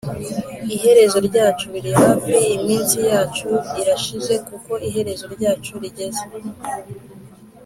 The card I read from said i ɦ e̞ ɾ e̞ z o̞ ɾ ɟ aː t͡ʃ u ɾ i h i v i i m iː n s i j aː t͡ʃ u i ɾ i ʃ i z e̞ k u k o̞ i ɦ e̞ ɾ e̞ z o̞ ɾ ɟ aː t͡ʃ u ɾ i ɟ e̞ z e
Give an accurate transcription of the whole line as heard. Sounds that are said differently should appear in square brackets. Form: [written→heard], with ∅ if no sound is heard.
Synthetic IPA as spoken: i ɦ e̞ ɾ e̞ z o̞ ɾ ɟ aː t͡ʃ u ɾ i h [i→a] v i i m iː n s i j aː t͡ʃ u i ɾ [i→a] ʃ i z e̞ k u k o̞ i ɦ e̞ ɾ e̞ z o̞ ɾ ɟ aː t͡ʃ u ɾ i ɟ e̞ z e